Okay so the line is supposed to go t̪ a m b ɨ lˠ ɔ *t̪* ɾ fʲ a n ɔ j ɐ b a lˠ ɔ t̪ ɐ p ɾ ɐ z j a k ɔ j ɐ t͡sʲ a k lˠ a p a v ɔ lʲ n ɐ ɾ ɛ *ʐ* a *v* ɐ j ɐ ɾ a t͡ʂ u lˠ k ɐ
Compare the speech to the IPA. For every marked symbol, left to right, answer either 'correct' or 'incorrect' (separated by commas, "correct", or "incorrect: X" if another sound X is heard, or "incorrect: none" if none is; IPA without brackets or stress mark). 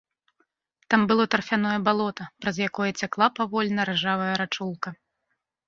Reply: correct, correct, correct